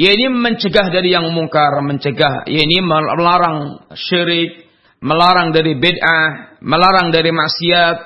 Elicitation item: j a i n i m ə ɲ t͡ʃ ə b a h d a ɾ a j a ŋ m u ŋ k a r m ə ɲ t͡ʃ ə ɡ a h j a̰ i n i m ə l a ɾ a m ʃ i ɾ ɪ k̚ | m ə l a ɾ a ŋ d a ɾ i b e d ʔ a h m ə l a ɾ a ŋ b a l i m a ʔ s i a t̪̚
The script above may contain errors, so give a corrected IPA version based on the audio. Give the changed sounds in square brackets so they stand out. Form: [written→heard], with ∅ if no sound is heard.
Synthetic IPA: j a i n i m ə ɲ t͡ʃ ə [b→ɡ] a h d a ɾ [a→i] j a ŋ m u ŋ k a r m ə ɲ t͡ʃ ə ɡ a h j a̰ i n i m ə l a ɾ a [m→ŋ] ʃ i ɾ ɪ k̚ | m ə l a ɾ a ŋ d a ɾ i b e d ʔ a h m ə l a ɾ a ŋ [b→d] a [l→ɾ] i m a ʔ s i a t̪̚